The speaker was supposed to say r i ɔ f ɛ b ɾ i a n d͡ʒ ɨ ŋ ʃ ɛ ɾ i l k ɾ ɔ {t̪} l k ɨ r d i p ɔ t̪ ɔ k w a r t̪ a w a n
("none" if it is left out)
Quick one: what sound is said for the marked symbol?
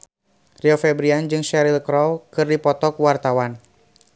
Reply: none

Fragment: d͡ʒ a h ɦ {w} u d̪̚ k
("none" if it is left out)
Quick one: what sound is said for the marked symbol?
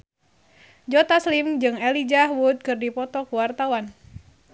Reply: w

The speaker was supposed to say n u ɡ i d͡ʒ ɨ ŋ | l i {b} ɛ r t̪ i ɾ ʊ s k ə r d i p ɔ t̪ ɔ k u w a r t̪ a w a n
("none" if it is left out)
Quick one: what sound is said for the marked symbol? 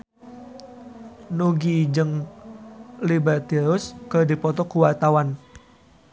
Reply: b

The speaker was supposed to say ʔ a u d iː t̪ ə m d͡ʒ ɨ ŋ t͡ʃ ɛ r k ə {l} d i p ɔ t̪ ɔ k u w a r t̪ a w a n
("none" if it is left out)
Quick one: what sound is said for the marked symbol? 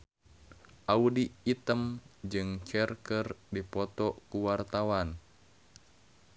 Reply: r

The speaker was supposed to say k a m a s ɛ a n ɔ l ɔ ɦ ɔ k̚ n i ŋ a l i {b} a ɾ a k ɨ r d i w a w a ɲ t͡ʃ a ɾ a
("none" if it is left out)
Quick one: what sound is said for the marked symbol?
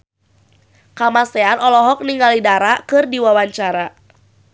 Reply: d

